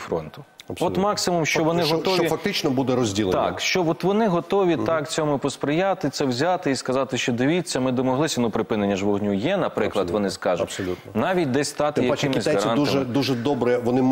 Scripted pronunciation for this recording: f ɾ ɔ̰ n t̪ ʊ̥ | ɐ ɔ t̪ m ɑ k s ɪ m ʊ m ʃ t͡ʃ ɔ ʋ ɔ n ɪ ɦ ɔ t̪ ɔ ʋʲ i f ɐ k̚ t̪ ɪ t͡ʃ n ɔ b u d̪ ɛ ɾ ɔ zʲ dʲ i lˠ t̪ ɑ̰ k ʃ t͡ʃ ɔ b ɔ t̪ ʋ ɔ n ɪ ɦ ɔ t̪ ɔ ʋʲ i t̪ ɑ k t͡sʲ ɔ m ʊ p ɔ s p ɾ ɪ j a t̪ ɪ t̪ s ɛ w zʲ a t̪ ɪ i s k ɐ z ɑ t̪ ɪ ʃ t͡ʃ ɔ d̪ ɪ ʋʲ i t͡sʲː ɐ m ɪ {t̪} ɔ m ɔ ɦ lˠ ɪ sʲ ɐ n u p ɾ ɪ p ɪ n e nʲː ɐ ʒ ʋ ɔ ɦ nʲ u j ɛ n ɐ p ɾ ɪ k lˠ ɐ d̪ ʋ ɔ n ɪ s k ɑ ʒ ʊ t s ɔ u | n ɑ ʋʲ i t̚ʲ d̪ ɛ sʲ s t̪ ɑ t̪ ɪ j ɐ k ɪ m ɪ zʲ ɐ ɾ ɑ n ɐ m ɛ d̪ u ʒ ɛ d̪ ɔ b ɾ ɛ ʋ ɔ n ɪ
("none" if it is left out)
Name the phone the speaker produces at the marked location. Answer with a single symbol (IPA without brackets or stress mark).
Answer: d̪